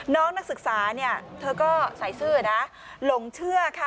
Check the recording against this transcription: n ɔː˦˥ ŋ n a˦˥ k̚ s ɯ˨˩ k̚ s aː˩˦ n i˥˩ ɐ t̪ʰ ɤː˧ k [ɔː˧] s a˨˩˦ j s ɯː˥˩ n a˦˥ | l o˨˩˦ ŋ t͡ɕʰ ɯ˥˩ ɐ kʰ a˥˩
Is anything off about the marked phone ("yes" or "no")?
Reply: yes